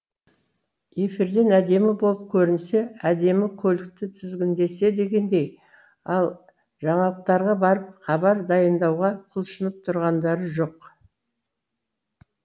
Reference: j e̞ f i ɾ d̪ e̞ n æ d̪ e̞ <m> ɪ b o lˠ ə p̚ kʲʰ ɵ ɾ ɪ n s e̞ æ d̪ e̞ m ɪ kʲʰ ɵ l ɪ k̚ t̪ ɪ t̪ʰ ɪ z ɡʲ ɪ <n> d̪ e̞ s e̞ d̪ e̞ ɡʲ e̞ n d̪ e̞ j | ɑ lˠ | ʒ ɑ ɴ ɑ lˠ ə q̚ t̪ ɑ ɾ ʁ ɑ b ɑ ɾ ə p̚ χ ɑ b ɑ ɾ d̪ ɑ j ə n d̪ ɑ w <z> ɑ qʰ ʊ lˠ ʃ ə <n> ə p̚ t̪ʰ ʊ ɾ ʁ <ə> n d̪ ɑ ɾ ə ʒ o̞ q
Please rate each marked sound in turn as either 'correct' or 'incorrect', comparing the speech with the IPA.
correct, correct, incorrect: ʁ, correct, incorrect: ɑ

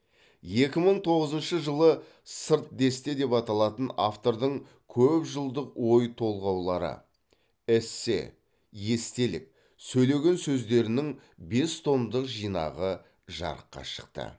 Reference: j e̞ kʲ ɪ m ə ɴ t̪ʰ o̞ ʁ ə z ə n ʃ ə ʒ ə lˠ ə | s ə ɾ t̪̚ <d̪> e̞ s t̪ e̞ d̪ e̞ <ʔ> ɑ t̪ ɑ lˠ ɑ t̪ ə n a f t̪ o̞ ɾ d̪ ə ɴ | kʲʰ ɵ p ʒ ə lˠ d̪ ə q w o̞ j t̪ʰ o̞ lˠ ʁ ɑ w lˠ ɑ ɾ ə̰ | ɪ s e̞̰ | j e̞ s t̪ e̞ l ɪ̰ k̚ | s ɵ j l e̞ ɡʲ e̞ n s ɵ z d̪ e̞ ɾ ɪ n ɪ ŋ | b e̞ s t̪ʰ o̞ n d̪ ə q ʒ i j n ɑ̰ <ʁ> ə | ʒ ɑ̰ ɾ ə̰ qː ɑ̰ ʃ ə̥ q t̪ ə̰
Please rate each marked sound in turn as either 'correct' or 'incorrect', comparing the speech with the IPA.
correct, incorrect: p, correct

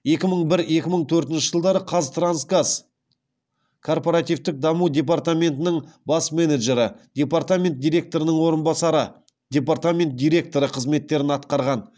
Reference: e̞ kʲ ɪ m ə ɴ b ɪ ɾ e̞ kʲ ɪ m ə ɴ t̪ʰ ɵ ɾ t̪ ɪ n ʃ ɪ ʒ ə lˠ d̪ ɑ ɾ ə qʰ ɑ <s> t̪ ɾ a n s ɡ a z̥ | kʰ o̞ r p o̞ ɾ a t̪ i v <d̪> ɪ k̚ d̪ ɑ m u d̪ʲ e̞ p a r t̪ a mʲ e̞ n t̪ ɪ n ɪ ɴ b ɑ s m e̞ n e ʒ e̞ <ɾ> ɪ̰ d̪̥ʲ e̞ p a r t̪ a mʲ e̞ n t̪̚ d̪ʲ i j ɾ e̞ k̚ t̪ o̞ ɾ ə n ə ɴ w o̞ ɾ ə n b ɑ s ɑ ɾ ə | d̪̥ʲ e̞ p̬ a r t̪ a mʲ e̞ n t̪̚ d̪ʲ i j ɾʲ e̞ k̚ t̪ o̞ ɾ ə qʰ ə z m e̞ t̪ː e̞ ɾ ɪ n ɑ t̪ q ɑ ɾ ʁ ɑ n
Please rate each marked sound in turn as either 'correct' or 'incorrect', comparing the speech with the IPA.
incorrect: z, incorrect: t̪, correct

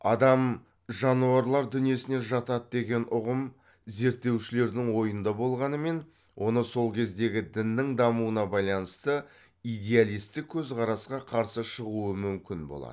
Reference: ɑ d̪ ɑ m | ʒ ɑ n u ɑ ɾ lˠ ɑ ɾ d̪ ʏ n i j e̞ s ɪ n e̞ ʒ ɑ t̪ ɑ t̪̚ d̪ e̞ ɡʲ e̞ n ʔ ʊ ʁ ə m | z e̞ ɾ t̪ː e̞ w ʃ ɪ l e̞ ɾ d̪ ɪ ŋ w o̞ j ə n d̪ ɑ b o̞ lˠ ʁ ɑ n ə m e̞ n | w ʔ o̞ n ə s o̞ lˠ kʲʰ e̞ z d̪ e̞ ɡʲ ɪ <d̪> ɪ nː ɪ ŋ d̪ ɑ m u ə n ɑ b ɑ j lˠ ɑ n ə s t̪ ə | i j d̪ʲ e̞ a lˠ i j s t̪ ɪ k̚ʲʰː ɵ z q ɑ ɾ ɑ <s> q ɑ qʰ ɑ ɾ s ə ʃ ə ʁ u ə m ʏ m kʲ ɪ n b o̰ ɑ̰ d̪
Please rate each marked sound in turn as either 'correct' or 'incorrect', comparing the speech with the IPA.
correct, correct

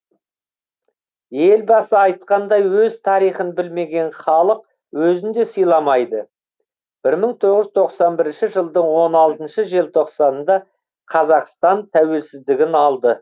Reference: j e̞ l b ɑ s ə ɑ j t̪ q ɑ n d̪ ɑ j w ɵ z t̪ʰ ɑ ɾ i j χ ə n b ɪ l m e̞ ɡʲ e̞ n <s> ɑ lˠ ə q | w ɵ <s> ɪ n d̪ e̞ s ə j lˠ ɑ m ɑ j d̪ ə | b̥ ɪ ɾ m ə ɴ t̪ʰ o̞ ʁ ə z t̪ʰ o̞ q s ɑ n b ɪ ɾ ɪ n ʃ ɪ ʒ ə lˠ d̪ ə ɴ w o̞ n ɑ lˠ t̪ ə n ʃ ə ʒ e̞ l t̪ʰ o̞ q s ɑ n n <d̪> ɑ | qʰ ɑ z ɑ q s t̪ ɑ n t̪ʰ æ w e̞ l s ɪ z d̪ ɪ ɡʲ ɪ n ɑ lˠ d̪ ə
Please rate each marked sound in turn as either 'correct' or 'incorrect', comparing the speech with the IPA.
incorrect: χ, incorrect: z, correct

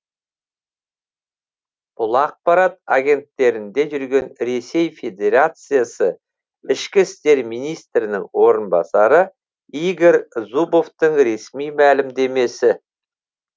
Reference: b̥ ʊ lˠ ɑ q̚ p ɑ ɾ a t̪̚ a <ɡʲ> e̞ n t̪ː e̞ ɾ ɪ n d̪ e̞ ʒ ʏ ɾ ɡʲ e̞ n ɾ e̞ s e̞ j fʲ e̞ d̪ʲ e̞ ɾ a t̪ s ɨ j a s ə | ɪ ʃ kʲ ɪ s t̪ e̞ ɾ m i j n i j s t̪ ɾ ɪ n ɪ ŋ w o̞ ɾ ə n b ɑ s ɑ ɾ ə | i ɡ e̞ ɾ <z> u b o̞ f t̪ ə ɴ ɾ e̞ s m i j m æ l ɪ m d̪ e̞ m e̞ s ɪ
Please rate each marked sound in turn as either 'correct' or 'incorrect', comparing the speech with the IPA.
correct, correct

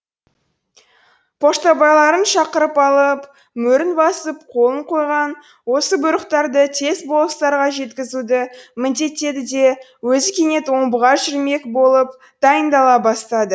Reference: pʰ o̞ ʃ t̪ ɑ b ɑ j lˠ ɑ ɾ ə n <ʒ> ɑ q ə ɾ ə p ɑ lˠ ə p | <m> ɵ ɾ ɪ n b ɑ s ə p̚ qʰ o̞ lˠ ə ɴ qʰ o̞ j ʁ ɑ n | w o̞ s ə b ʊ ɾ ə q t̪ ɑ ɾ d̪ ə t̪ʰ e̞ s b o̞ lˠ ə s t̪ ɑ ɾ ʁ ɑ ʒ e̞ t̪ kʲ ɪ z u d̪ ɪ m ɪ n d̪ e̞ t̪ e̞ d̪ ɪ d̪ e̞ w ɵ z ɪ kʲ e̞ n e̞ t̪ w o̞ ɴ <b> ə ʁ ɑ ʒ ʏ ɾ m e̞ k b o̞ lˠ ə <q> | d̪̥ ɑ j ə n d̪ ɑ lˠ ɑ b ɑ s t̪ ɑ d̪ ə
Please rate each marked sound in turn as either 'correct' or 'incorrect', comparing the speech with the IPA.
incorrect: ʃ, correct, correct, incorrect: p

